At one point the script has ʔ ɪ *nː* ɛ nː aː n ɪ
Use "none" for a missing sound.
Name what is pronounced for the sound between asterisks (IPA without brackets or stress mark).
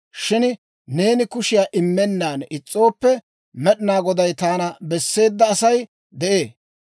mː